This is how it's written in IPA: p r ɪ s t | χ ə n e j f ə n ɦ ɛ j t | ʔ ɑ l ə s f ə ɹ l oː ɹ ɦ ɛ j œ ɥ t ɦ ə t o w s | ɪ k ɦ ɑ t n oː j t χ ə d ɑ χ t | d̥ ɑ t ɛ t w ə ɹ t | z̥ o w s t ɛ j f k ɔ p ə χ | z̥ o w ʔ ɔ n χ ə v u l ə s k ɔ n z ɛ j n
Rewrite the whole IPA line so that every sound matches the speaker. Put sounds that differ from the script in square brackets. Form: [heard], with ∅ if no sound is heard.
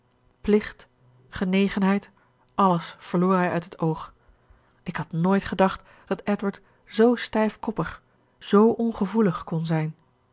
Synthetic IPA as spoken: p [l] ɪ [χ] t | χ ə n e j [χ] ə n ɦ ɛ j t | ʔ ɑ l ə s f ə ɹ l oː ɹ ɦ ɛ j œ ɥ t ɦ ə t o w [χ] | ɪ k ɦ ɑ t n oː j t χ ə d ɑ χ t | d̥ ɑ t ɛ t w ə ɹ t | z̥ o w s t ɛ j f k ɔ p ə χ | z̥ o w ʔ ɔ n χ ə v u l ə [χ] k ɔ n z ɛ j n

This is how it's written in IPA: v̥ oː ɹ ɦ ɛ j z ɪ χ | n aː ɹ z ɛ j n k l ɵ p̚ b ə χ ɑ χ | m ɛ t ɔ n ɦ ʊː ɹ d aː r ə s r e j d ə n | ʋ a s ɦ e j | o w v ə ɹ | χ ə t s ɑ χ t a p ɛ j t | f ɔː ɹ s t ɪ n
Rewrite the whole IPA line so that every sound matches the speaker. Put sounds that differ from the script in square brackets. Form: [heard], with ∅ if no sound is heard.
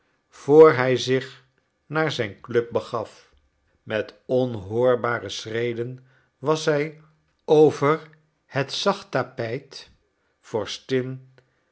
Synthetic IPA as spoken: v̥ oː ɹ ɦ ɛ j z ɪ χ | n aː ɹ z ɛ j n k l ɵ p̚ b ə χ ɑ [f] | m ɛ t ɔ n ɦ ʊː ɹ [b] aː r ə s r e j d ə n | ʋ [ɑ] s ɦ [ɛ] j | o w v ə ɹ | [h] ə t s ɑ χ t a p ɛ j t | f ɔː ɹ s t ɪ n

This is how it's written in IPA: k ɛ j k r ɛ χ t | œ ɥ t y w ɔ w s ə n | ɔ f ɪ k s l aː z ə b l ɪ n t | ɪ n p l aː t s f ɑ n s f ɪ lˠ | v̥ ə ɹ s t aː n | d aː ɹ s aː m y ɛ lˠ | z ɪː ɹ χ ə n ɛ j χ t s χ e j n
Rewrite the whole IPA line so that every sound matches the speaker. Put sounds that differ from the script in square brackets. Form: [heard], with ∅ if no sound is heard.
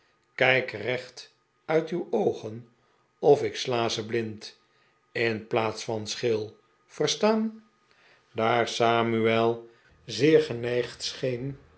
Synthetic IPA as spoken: k ɛ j k r ɛ χ t | œ ɥ t y w [o] w [χ] ə n | ɔ f ɪ k s l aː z ə b l ɪ n t | ɪ n p l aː t s f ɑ n s [χ] ɪ lˠ | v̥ ə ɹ s t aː n | d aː ɹ s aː m y ɛ lˠ | z ɪː ɹ χ ə n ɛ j χ t s χ e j n

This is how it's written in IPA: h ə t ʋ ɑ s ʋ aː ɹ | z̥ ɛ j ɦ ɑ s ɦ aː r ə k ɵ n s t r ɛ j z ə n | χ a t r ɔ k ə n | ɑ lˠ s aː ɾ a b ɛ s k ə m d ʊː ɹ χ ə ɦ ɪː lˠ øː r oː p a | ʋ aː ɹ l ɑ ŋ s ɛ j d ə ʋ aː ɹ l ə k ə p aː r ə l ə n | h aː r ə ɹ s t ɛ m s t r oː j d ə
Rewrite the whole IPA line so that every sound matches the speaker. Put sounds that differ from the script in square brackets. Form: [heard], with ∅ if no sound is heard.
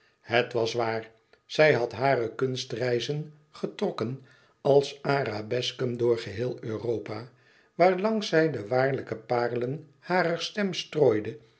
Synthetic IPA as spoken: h ə t ʋ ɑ s ʋ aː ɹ | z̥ ɛ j ɦ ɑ [t] ɦ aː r ə k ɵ n s t r ɛ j z ə n | χ [ə] t r ɔ k ə n | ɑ lˠ s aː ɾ a b ɛ s k ə m d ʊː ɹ χ ə ɦ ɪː lˠ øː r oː p a | ʋ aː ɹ l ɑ ŋ s ɛ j d ə ʋ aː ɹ l ə k ə p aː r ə l ə n | h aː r ə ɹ s t ɛ m s t r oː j d ə

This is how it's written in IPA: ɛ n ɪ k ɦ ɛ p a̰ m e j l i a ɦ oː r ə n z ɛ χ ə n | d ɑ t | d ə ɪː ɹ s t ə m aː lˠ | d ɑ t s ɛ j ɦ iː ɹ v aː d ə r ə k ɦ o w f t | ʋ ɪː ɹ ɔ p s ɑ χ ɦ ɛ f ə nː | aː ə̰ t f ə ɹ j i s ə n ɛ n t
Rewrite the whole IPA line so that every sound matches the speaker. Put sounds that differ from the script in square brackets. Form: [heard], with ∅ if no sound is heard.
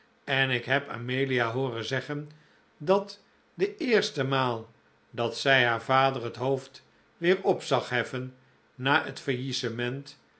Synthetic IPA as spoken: ɛ n ɪ k ɦ ɛ p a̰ m e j l i a ɦ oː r ə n z ɛ χ ə n | d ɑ t | d ə ɪː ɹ s t ə m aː lˠ | d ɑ t s ɛ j ɦ [aː] ɹ v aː d ə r ə [t] ɦ o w f t | ʋ ɪː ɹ ɔ p s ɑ χ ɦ ɛ f ə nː | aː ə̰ t f ə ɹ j i s ə [m] ɛ n t

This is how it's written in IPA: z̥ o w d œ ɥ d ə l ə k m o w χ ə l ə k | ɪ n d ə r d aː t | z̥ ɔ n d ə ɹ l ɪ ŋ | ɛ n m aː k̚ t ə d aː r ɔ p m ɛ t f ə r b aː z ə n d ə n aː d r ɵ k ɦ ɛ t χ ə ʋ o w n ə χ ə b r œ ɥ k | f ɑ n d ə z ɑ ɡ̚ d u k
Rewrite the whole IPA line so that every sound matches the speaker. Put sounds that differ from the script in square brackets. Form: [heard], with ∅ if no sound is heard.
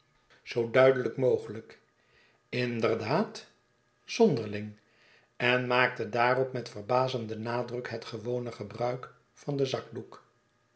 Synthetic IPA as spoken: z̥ o w d œ ɥ d ə l ə k m o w χ ə l ə k | ɪ n d ə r d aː t | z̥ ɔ n d ə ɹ l ɪ ŋ | ɛ n m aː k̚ t ə d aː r ɔ p m ɛ t f ə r b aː z ə n d ə n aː d r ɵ k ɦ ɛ t χ ə ʋ o w n ə χ ə b r œ ɥ k | f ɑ n d ə z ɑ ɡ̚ d u k

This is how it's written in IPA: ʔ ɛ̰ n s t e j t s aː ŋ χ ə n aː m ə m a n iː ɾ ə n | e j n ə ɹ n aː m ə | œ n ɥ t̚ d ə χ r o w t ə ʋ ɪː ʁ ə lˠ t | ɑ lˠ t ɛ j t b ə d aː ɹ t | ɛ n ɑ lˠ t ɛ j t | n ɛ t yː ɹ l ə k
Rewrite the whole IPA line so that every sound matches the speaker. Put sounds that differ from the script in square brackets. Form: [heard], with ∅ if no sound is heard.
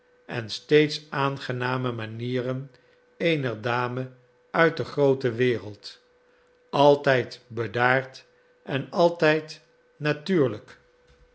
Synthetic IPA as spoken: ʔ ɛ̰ n s t e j t s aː [n] χ ə n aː m ə m a n iː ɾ ə n | e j n ə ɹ [d] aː m ə | œ [∅] ɥ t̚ d ə χ r o w t ə ʋ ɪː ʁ ə lˠ t | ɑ lˠ t ɛ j t b ə d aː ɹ t | ɛ n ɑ lˠ t ɛ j t | n [a] t yː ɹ l ə k

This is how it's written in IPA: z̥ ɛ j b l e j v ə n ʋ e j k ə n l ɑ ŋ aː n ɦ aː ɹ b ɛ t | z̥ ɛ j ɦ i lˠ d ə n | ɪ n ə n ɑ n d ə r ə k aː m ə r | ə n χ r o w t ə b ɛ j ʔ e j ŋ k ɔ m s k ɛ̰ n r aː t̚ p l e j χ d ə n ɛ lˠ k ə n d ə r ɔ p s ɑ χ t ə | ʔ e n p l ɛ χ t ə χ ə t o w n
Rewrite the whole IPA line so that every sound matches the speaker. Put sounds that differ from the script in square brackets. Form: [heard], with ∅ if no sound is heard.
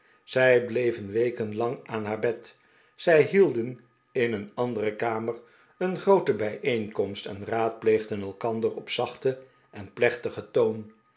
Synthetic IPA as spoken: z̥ ɛ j b l e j v ə n ʋ e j k ə n l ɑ ŋ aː n ɦ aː ɹ b ɛ t | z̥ ɛ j ɦ i lˠ d ə n | ɪ n ə n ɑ n d ə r ə k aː m ə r | ə n χ r o w t ə b ɛ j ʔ e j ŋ k ɔ m s [t] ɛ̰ n r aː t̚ p l e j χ d ə n ɛ lˠ k [ɑ] n d ə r ɔ p s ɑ χ t ə | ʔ [ɛ] n p l ɛ χ t ə χ ə t o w n

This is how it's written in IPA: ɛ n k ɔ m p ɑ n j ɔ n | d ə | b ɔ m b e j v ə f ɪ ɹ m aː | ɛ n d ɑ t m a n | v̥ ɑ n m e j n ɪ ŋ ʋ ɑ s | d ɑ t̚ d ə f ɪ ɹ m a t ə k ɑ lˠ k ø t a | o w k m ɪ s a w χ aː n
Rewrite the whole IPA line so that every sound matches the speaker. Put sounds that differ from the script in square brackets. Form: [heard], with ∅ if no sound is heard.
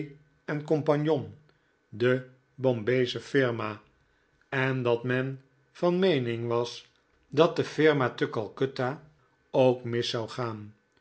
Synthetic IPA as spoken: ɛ n k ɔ m p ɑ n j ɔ n | d ə | b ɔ m b e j [z] ə f ɪ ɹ m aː | ɛ n d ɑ t m [ɛ] n | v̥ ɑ n m e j n ɪ ŋ ʋ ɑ s | d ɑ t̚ d ə f ɪ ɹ m a t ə k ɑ lˠ k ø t a | o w k m ɪ s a w χ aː n

